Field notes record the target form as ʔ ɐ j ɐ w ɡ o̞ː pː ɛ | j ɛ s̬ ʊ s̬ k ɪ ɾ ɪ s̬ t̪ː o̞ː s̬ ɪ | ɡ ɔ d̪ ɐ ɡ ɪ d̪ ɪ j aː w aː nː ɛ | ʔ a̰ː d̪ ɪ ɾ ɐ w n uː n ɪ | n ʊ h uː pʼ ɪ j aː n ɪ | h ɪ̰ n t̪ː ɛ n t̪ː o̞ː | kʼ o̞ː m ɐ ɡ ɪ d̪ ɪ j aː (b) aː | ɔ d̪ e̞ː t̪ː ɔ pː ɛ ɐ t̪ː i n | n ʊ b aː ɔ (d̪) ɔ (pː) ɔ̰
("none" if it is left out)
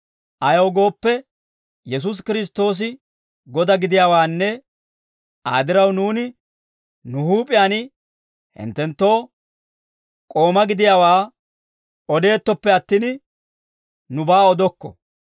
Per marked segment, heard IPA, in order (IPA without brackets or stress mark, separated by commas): w, d̪, kː